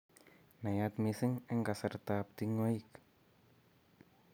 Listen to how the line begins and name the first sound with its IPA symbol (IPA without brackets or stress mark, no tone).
n